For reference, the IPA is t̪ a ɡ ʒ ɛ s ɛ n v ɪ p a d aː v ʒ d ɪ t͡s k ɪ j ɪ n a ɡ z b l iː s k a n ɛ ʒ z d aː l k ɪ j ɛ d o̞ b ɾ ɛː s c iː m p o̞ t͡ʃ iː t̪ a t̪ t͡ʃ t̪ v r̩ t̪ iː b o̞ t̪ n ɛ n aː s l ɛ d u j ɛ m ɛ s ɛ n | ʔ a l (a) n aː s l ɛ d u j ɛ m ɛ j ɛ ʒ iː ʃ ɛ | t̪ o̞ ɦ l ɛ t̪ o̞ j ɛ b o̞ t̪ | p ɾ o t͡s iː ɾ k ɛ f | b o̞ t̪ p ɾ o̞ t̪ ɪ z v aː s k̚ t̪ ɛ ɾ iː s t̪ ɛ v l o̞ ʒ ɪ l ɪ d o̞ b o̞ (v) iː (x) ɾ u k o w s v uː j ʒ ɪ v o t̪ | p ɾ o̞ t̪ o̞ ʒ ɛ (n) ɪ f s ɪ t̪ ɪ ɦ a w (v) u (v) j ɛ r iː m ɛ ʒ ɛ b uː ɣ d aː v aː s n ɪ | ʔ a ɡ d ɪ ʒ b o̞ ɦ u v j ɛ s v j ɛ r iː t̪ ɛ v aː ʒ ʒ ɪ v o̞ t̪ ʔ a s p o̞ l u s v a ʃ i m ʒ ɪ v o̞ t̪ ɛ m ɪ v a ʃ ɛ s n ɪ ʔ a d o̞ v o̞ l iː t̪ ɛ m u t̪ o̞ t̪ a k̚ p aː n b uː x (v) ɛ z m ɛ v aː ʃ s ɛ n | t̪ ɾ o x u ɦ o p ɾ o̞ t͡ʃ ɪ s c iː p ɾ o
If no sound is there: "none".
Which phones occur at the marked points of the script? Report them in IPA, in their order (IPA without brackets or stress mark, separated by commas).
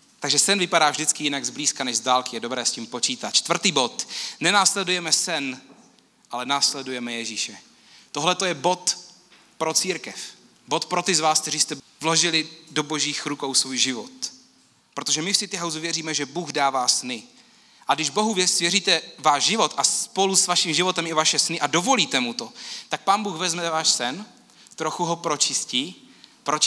ɛ, ʒ, x, m, z, v, v